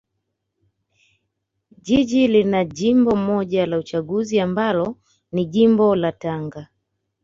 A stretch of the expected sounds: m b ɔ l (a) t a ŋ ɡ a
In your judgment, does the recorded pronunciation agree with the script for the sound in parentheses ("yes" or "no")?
yes